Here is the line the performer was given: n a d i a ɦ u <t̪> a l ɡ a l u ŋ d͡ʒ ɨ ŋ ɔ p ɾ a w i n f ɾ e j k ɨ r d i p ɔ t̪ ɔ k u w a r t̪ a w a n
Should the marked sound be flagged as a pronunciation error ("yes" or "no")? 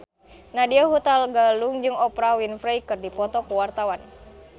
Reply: no